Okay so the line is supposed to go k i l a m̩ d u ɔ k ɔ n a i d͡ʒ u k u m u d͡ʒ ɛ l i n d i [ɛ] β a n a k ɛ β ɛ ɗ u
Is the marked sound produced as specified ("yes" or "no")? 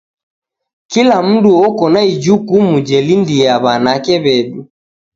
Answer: no